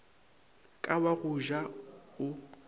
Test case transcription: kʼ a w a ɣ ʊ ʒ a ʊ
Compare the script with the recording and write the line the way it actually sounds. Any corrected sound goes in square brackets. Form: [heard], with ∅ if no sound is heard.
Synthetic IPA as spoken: kʼ a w a ɣ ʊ ʒ a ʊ